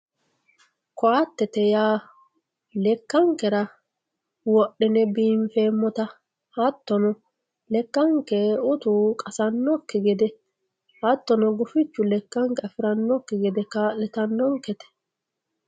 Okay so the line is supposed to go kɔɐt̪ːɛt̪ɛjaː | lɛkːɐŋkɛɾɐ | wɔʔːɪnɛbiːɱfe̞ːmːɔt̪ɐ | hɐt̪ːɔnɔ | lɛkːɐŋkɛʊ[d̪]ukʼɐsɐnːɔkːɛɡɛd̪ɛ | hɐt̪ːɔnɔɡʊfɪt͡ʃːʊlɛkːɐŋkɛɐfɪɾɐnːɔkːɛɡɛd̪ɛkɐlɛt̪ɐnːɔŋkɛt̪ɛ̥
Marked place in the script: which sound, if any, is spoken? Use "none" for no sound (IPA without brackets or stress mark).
t̪